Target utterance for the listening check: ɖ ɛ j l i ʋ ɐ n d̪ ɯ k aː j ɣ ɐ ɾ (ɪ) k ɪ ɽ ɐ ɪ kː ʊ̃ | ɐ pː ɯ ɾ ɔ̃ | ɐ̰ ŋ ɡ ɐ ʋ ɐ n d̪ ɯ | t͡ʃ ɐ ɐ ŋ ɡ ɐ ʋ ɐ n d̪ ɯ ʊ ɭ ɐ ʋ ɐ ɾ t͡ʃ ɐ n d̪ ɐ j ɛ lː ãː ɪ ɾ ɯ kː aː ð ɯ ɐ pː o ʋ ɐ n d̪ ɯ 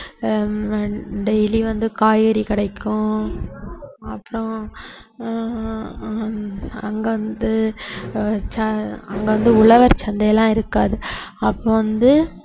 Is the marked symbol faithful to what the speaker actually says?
no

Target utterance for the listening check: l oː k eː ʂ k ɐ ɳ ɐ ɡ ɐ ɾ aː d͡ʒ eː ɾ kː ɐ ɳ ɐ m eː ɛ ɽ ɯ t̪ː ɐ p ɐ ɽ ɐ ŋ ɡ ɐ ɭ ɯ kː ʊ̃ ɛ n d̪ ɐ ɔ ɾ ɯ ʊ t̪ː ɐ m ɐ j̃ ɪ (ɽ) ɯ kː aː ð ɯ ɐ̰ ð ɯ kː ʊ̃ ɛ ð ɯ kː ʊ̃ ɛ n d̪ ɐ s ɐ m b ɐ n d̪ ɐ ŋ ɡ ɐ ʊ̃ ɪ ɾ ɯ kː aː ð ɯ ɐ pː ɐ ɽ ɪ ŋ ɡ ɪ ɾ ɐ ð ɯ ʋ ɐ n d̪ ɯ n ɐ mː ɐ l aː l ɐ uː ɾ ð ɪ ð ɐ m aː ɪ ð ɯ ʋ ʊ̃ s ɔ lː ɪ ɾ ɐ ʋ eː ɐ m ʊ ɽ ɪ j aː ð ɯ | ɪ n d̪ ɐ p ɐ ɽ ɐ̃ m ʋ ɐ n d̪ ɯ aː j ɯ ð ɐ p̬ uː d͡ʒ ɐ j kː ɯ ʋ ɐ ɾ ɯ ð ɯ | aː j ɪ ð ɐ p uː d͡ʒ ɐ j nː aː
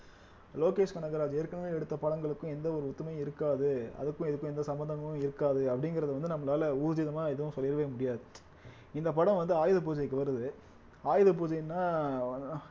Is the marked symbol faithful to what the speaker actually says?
no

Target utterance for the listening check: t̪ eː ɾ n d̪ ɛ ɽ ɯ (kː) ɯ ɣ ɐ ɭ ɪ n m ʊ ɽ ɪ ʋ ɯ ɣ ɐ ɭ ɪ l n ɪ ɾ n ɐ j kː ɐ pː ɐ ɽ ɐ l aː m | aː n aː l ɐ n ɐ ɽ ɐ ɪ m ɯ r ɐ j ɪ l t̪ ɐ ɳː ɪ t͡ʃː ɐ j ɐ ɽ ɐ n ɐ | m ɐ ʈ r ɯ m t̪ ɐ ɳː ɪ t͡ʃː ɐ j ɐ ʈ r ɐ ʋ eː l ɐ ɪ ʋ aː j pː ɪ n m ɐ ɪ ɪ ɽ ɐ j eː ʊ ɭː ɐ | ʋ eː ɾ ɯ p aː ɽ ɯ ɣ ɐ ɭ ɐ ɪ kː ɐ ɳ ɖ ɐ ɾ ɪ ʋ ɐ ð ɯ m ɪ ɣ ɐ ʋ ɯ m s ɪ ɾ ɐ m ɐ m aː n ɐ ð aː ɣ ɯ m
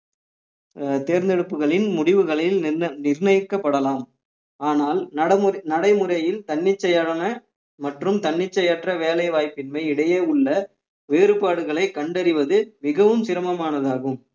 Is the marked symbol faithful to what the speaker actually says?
no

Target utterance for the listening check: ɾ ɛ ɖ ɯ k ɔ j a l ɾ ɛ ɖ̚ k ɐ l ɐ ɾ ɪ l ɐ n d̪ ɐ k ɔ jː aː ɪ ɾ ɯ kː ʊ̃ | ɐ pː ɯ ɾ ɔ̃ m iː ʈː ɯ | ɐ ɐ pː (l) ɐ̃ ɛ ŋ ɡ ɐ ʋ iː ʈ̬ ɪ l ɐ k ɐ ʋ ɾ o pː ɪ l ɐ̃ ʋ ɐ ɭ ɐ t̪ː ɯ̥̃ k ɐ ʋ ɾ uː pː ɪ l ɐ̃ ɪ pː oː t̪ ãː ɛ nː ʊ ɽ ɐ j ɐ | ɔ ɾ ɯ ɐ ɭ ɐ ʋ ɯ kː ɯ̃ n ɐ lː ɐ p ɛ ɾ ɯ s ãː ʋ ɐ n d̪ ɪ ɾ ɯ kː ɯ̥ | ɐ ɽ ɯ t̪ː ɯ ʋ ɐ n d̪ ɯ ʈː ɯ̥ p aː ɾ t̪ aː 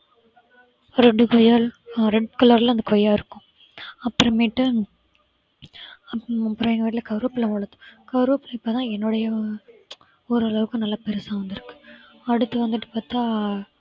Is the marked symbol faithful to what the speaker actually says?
no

